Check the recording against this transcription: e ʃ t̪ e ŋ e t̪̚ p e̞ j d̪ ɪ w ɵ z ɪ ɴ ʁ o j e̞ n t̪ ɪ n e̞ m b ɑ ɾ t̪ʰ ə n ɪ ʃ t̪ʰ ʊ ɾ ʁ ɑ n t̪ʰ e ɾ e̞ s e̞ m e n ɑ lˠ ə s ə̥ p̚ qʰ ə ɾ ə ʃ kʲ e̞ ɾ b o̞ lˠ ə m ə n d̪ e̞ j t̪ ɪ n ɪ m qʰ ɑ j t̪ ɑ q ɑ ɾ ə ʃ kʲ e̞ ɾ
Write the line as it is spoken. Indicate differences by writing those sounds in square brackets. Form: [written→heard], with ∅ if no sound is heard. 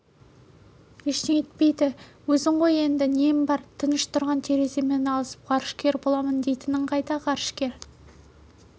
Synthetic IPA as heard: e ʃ t̪ e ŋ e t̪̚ p e̞ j d̪ ɪ w ɵ z ɪ ɴ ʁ o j e̞ n [t̪→d̪] ɪ n e̞ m b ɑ ɾ t̪ʰ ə n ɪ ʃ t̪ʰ ʊ ɾ ʁ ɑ n t̪ʰ e ɾ e̞ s e̞ m e n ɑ lˠ ə s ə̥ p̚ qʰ [ə→ɑ] ɾ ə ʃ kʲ e̞ ɾ b o̞ lˠ [ə→ɑ] m ə n d̪ e̞ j t̪ ɪ n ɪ [m→ɴ] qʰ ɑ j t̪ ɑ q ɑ ɾ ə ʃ kʲ e̞ ɾ